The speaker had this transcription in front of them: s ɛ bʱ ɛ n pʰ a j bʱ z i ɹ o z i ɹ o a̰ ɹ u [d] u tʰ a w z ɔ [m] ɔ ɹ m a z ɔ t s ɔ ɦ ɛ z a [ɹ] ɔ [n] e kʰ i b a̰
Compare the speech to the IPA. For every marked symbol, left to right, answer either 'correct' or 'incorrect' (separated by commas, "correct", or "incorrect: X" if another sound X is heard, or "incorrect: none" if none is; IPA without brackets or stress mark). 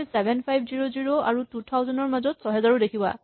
incorrect: t, incorrect: n, correct, incorrect: d